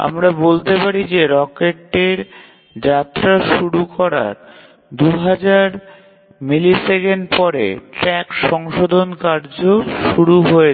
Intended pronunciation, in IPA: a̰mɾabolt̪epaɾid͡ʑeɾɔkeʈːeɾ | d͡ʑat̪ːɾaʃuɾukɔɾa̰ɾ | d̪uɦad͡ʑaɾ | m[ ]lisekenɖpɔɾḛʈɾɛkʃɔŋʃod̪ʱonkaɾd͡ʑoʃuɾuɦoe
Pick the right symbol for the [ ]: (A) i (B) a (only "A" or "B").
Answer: A